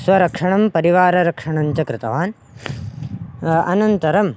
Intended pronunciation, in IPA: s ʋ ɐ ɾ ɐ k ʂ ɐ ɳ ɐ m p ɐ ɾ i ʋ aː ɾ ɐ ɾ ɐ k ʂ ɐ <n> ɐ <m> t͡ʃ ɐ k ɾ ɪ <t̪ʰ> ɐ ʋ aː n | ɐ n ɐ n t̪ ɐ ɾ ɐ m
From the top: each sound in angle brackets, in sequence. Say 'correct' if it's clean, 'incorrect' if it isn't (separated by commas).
incorrect, incorrect, incorrect